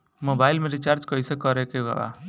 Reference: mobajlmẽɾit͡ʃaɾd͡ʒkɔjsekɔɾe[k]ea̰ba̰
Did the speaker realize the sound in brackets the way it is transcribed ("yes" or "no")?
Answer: yes